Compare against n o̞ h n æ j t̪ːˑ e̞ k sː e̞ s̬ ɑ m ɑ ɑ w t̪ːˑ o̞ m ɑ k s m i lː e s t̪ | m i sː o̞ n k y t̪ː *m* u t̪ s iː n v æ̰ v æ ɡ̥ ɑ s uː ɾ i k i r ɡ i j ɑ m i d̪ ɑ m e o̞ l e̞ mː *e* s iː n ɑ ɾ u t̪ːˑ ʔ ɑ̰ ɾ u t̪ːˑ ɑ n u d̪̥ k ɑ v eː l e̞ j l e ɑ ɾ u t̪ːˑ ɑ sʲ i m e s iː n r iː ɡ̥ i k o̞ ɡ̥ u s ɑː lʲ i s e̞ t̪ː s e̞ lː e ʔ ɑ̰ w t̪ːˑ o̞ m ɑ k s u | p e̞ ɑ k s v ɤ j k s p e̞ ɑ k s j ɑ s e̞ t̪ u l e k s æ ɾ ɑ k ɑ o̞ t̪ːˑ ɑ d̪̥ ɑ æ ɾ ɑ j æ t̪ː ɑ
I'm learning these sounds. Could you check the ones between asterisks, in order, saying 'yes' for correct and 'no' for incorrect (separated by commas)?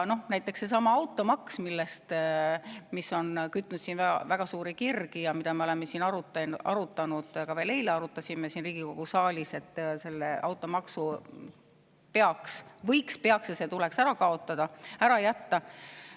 no, yes